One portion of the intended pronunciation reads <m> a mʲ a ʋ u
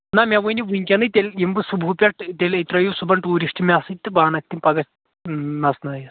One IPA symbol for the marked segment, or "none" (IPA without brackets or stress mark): n